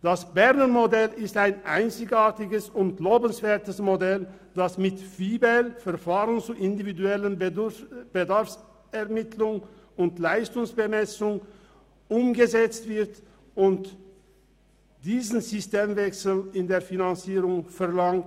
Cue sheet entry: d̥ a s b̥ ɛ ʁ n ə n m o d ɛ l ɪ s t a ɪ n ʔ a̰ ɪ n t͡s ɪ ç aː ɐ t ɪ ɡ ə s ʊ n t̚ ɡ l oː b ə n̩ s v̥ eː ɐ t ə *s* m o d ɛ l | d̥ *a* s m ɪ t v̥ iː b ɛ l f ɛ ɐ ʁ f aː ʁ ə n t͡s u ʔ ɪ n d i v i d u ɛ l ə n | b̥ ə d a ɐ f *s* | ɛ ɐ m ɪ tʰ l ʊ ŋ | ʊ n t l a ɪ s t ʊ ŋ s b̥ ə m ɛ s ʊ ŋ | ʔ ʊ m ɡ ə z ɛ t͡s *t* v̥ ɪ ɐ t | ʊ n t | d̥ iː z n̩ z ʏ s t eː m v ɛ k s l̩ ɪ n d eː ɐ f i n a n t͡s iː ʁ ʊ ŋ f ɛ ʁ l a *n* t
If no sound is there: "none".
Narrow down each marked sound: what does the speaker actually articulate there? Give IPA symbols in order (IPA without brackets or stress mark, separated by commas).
s, a, s, t, ŋ